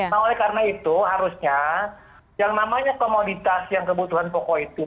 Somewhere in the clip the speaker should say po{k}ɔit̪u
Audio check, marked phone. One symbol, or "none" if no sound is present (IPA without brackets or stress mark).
k